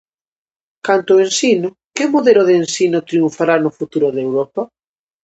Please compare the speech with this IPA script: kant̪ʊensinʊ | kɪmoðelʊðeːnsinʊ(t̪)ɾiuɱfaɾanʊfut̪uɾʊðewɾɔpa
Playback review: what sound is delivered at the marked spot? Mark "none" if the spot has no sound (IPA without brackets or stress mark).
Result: t̪